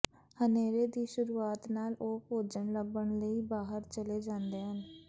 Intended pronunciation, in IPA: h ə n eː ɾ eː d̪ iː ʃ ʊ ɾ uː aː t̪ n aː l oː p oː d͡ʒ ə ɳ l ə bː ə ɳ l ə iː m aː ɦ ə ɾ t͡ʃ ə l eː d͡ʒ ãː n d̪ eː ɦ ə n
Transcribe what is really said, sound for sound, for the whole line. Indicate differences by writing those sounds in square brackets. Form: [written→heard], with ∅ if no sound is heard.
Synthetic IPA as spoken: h ə n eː ɾ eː d̪ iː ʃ ʊ ɾ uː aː t̪ n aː l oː p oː d͡ʒ ə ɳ l ə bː ə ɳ l ə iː [m→b] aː ɦ ə ɾ t͡ʃ ə l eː d͡ʒ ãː n d̪ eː ɦ ə n